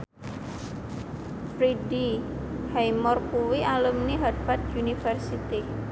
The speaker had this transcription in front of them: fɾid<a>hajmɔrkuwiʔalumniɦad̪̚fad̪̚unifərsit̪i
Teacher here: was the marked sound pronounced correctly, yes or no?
no